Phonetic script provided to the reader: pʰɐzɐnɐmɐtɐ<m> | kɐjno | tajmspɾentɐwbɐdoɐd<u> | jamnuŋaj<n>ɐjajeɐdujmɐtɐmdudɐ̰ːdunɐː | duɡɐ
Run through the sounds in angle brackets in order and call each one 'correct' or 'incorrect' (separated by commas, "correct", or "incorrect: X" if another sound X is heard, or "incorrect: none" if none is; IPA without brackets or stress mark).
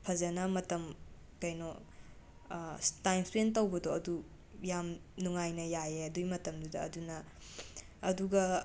correct, correct, correct